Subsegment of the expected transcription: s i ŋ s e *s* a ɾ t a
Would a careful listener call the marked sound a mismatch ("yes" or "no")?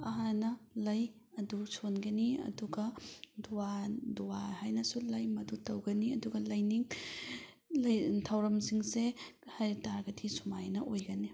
yes